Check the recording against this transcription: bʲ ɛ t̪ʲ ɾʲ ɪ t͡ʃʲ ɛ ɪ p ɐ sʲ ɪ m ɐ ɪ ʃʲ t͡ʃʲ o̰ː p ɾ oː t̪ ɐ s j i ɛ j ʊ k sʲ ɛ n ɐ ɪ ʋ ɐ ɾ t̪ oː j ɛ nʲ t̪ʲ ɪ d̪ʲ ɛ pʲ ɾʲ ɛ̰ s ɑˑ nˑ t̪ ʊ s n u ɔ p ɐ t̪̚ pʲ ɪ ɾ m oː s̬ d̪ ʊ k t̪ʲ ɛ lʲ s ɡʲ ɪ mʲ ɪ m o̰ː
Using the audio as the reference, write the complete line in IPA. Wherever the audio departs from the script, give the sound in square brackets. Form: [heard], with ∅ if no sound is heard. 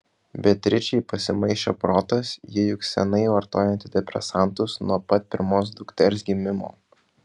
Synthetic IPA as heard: bʲ ɛ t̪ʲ ɾʲ ɪ t͡ʃʲ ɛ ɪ p ɐ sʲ ɪ m ɐ ɪ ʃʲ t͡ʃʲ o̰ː p ɾ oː t̪ ɐ s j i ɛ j ʊ k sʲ ɛ n ɐ ɪ ʋ ɐ ɾ t̪ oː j ɛ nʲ t̪ʲ ɪ d̪ʲ ɛ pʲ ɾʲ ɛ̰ s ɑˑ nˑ t̪ ʊ s n u ɔ p ɐ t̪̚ pʲ ɪ ɾ m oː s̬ d̪ ʊ k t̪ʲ ɛ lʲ s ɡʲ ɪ mʲ ɪ m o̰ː

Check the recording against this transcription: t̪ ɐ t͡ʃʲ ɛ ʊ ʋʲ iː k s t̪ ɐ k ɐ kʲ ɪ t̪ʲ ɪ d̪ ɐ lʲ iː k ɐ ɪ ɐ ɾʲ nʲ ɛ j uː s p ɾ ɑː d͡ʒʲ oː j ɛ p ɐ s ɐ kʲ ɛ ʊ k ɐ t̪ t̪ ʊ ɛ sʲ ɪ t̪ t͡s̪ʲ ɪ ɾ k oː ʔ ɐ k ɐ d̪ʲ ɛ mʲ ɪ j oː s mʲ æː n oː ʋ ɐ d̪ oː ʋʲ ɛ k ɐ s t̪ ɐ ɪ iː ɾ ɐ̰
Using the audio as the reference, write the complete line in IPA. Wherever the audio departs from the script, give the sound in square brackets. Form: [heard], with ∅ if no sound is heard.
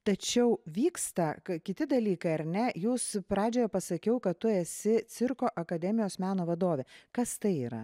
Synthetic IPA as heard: t̪ ɐ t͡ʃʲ ɛ ʊ ʋʲ iː k s t̪ ɐ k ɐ kʲ ɪ t̪ʲ ɪ d̪ ɐ lʲ iː k ɐ ɪ ɐ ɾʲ nʲ ɛ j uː s p ɾ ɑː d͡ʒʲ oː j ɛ p ɐ s ɐ kʲ ɛ ʊ k ɐ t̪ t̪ ʊ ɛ sʲ ɪ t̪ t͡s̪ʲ ɪ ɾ k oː ʔ ɐ k ɐ d̪ʲ ɛ mʲ ɪ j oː s mʲ æː n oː ʋ ɐ d̪ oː ʋʲ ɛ k ɐ s t̪ ɐ ɪ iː ɾ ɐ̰

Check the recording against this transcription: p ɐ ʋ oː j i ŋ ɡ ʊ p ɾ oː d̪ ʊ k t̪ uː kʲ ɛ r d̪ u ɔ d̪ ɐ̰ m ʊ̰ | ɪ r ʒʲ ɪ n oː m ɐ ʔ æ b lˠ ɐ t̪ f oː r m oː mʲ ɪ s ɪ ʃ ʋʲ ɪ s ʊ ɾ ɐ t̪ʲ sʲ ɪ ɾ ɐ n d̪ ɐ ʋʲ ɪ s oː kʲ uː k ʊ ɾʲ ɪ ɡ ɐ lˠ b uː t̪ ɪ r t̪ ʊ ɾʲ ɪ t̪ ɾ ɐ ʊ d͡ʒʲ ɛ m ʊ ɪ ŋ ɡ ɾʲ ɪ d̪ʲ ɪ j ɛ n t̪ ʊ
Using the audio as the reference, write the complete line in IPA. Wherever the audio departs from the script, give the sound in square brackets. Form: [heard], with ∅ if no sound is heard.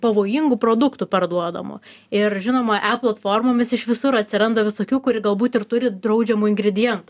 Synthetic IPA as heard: p ɐ ʋ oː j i ŋ ɡ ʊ p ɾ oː d̪ ʊ k t̪ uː [pʲ] ɛ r d̪ u ɔ d̪ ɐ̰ m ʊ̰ | ɪ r ʒʲ ɪ n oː m ɐ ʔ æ [p] lˠ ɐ t̪ f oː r m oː mʲ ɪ s ɪ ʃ ʋʲ ɪ s ʊ ɾ ɐ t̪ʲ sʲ ɪ ɾ ɐ n d̪ ɐ ʋʲ ɪ s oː kʲ uː k ʊ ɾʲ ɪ ɡ ɐ lˠ b uː t̪ ɪ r t̪ ʊ ɾʲ ɪ [d̪] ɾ ɐ ʊ d͡ʒʲ ɛ m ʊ ɪ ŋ ɡ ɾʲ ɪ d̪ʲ ɪ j ɛ n t̪ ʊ

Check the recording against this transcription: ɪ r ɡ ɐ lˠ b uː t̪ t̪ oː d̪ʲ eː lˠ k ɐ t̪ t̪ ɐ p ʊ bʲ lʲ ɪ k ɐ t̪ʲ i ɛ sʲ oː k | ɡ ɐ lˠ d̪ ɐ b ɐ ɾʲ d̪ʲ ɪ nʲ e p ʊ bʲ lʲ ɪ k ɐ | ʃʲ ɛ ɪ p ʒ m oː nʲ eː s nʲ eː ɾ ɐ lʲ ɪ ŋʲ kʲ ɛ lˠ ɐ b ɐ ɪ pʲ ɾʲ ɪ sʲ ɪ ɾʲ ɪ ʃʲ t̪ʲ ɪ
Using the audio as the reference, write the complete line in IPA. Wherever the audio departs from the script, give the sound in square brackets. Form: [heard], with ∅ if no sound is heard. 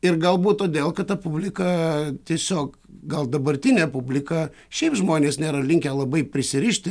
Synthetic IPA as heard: ɪ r ɡ ɐ lˠ b uː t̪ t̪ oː d̪ʲ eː lˠ k ɐ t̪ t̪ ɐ p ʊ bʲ lʲ ɪ k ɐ t̪ʲ i ɛ sʲ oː k | ɡ ɐ lˠ d̪ ɐ b ɐ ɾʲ [t̪ʲ] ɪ nʲ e p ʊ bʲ lʲ ɪ k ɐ | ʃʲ ɛ ɪ p ʒ m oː nʲ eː s nʲ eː ɾ ɐ lʲ ɪ ŋʲ kʲ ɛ lˠ ɐ b ɐ ɪ pʲ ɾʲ ɪ sʲ ɪ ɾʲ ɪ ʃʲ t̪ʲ ɪ

